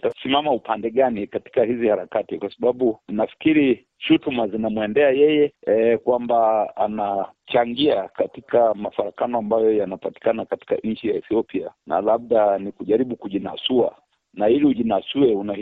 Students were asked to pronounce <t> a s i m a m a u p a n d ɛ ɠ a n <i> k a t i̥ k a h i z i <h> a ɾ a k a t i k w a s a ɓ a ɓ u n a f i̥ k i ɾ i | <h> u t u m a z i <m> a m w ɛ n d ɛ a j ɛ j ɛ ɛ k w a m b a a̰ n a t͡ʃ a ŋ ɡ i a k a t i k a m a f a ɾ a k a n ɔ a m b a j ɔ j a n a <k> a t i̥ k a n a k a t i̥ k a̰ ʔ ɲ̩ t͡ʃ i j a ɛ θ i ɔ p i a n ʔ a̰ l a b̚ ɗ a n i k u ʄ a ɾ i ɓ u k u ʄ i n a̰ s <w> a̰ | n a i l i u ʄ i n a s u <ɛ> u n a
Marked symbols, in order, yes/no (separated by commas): yes, yes, yes, no, no, no, no, yes